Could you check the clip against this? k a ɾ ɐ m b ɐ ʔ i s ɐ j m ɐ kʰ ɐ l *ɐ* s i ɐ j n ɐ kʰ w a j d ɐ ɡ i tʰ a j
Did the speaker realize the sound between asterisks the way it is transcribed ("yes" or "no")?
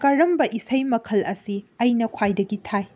yes